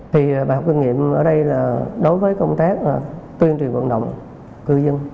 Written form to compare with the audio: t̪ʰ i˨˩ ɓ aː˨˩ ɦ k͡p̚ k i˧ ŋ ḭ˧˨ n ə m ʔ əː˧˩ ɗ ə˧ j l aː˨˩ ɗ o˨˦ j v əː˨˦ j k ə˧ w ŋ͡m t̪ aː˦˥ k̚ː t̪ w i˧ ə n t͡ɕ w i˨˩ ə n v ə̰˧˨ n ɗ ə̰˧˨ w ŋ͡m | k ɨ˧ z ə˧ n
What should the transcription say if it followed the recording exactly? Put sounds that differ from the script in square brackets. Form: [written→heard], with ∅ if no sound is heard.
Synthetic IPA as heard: t̪ʰ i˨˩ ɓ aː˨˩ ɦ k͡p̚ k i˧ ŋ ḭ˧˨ [n→∅] ə m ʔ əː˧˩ ɗ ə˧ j l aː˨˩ ɗ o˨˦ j v əː˨˦ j k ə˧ w ŋ͡m t̪ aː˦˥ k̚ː t̪ w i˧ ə n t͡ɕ w i˨˩ ə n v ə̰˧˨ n ɗ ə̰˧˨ w ŋ͡m | k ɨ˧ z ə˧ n